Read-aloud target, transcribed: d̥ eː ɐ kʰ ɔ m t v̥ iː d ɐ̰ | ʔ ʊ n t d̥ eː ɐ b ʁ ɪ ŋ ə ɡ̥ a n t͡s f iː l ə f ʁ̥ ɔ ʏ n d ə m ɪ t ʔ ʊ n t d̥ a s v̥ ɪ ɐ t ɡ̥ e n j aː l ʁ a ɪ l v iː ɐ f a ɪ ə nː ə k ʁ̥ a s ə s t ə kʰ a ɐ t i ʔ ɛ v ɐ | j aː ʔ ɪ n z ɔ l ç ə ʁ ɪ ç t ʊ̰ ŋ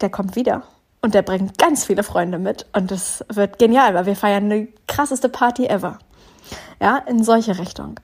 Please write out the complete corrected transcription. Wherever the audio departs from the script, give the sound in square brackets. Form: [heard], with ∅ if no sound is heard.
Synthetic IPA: d̥ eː ɐ kʰ ɔ m t v̥ iː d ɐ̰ | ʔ ʊ n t d̥ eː ɐ b ʁ ɪ ŋ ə ɡ̥ a n t͡s f iː l ə f ʁ̥ ɔ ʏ n d ə m ɪ t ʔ ʊ n t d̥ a s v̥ ɪ ɐ t ɡ̥ e n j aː l [v] a ɪ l v iː ɐ f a ɪ [ɐ] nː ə k ʁ̥ a s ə s t ə [pʰ] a ɐ t i ʔ ɛ v ɐ | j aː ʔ ɪ n z ɔ l ç ə ʁ ɪ ç t ʊ̰ ŋ